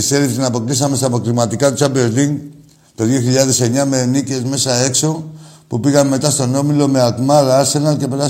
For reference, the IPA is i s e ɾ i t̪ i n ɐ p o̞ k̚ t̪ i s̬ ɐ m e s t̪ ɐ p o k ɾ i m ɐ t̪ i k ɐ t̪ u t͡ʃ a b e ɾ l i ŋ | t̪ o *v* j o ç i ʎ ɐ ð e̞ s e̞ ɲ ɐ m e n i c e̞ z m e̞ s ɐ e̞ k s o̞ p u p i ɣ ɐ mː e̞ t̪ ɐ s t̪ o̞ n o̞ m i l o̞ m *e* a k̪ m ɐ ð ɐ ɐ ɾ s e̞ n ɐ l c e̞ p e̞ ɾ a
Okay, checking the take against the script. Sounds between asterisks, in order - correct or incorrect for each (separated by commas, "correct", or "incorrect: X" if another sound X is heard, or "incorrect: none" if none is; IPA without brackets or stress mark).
incorrect: ð, correct